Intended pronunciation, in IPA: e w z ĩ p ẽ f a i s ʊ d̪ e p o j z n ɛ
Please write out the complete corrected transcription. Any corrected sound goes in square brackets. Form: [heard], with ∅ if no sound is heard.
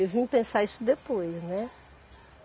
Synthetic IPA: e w [v] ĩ p ẽ [s] a i s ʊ d̪ e p o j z n ɛ